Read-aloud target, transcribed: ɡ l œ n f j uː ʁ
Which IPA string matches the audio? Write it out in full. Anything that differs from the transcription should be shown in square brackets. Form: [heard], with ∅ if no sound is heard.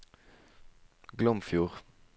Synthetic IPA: ɡ l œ [m] f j uː ʁ